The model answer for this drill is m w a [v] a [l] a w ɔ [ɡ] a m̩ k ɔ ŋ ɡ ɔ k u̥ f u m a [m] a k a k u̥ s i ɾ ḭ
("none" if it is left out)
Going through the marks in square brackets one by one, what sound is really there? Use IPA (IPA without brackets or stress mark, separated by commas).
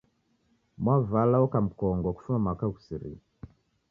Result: v, l, k, m